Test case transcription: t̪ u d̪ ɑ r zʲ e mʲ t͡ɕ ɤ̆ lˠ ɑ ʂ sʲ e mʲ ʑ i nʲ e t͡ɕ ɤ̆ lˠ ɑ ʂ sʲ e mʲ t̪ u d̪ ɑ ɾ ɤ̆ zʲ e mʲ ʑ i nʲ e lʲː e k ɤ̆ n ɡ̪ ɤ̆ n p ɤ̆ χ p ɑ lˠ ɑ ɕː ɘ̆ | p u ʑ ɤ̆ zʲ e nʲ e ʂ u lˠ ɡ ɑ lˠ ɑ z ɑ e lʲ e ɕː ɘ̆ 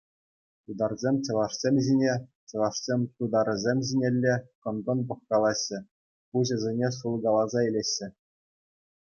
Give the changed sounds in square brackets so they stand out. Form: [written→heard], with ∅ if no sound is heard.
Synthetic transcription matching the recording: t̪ u d̪ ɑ r zʲ e mʲ t͡ɕ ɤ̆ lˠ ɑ ʂ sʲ e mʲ ʑ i nʲ e t͡ɕ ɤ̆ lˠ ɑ ʂ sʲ e mʲ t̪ u d̪ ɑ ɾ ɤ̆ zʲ e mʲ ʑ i nʲ e lʲː e k ɤ̆ n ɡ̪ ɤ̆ n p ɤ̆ χ [p→k] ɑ lˠ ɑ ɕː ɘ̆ | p u ʑ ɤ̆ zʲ e nʲ e ʂ u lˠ ɡ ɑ lˠ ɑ z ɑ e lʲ e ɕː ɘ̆